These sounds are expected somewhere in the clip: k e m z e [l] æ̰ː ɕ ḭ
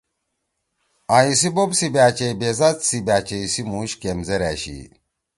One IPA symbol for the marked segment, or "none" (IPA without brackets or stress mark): ɾ